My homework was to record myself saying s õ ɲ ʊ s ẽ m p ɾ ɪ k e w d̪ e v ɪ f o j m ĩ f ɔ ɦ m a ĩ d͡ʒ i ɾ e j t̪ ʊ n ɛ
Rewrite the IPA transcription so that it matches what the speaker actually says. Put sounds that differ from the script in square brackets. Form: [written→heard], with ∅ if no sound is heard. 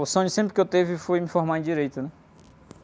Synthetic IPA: s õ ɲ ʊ s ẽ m p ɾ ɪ k e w [d̪→t̪] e v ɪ f o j m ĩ f ɔ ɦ m a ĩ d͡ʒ i ɾ e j t̪ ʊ n ɛ